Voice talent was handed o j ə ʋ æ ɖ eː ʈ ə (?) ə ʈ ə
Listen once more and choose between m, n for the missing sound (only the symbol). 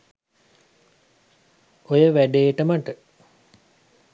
m